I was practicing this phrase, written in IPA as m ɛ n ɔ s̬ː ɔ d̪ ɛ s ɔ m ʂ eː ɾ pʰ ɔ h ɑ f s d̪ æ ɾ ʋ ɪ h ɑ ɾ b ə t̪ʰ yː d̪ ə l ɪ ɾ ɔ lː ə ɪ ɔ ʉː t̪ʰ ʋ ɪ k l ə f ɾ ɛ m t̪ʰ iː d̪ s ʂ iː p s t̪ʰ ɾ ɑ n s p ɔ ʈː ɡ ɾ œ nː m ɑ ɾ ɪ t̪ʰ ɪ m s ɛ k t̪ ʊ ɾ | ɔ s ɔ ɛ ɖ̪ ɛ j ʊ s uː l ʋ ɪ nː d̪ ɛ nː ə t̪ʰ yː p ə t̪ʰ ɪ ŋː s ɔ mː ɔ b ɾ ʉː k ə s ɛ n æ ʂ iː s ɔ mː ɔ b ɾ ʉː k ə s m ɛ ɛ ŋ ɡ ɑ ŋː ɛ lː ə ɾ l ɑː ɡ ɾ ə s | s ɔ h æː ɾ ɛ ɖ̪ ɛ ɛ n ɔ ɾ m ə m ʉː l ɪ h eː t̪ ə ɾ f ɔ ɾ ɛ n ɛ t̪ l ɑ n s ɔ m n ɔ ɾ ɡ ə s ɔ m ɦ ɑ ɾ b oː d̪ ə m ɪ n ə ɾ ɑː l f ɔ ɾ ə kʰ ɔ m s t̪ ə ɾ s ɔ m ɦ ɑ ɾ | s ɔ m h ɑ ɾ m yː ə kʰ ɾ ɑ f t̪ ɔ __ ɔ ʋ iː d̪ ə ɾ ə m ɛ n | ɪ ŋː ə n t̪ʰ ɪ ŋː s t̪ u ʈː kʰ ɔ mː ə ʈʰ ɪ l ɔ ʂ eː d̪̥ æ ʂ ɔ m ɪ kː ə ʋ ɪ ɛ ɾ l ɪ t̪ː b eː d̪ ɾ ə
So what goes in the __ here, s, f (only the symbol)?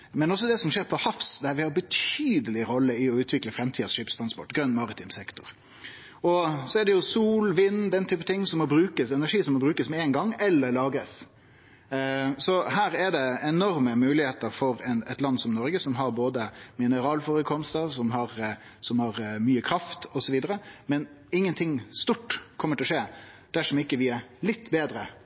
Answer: s